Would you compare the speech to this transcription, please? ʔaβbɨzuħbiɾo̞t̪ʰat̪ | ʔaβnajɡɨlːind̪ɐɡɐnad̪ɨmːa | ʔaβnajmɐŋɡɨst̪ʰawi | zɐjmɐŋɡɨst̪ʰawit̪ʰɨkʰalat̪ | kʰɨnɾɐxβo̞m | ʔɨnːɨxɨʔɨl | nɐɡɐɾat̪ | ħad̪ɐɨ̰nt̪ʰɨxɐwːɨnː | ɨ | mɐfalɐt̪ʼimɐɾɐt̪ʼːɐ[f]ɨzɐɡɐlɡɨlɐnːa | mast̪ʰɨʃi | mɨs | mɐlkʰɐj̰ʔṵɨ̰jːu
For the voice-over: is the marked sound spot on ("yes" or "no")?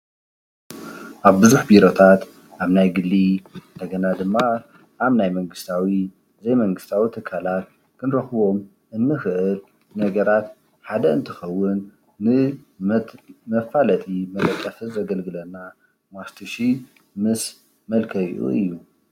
yes